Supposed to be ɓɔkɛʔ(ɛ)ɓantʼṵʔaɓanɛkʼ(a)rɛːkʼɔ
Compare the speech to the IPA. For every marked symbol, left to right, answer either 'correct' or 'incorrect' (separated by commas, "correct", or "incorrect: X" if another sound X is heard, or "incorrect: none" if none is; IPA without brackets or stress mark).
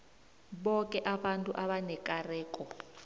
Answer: incorrect: a, correct